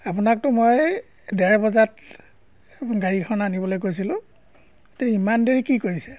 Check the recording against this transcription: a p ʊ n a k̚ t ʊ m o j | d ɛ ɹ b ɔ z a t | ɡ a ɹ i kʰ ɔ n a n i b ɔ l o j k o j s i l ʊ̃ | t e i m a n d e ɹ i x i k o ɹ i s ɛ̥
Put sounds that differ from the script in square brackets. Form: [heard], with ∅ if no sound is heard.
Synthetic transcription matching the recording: a p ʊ n a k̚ t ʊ m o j | d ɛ ɹ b ɔ z a t | ɡ a ɹ i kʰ ɔ n a n i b ɔ l o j k o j s i l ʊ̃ | t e i m a n d e ɹ i [k] i k o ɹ i s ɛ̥